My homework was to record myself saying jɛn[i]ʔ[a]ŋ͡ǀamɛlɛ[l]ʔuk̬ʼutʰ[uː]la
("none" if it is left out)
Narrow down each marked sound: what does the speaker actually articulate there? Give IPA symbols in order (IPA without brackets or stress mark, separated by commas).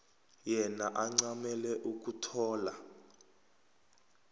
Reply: a, a, none, ɔː